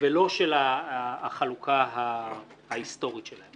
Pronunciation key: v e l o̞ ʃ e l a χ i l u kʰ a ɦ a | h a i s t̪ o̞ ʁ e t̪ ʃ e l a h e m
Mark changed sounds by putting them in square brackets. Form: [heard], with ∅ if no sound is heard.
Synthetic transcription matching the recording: v e l o̞ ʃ e l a χ [a] l u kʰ a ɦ a | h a i s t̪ o̞ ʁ [i] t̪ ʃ e l a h e m